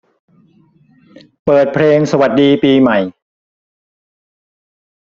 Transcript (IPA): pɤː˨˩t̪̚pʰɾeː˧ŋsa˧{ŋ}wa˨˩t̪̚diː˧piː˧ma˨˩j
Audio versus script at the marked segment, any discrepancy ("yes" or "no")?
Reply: yes